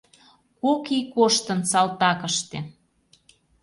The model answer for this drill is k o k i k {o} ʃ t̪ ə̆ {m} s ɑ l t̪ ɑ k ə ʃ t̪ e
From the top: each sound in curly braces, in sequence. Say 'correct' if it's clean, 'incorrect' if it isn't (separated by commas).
correct, incorrect